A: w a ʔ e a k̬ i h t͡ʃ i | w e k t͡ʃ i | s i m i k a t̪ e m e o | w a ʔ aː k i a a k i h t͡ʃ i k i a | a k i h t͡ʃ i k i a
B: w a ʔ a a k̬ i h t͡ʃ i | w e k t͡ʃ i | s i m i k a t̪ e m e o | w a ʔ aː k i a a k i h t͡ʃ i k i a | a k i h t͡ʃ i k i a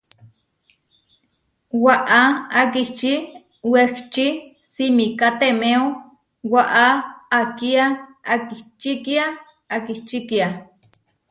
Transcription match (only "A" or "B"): B